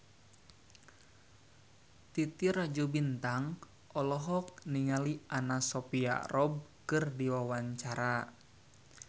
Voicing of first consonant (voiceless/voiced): voiceless